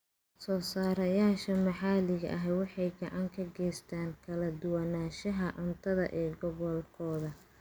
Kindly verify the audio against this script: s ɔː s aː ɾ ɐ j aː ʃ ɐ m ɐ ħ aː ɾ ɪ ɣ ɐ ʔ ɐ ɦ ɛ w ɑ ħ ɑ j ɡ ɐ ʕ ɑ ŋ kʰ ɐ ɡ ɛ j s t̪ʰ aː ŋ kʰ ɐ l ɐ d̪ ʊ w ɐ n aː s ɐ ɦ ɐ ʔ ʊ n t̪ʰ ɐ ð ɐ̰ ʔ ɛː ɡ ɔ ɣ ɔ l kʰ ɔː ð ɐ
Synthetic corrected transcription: s ɔː s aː ɾ ɐ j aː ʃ ɐ m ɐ ħ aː l ɪ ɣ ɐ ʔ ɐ ɦ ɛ w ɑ ħ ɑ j ɡ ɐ ʕ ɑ ŋ kʰ ɐ ɡ ɛ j s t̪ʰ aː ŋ kʰ ɐ l ɐ d̪ ʊ w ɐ n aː ʃ ɐ ɦ ɐ ʔ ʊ n t̪ʰ ɐ ð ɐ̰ ʔ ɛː ɡ ɔ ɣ ɔ l kʰ ɔː ð ɐ